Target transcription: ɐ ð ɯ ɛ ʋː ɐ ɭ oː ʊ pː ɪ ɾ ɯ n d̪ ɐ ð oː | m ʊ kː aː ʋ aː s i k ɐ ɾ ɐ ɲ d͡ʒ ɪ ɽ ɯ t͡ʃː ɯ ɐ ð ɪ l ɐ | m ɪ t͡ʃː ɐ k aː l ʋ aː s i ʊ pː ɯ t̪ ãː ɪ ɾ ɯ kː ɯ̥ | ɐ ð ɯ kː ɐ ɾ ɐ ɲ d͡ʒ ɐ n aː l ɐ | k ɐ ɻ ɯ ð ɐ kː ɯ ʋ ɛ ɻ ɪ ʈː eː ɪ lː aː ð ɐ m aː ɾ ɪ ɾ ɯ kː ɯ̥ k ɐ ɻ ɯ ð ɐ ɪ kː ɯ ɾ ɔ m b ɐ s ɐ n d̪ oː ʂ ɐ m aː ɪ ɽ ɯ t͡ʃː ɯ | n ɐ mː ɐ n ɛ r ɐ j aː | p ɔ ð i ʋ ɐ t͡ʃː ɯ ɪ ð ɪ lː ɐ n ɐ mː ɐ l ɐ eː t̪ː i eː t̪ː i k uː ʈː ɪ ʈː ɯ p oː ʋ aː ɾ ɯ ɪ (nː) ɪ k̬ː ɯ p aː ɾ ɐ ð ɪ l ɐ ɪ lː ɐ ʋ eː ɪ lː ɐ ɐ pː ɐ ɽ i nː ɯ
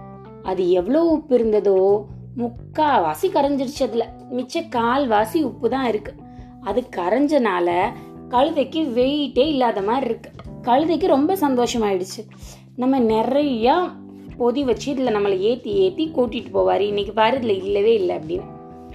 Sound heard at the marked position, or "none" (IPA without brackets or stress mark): nː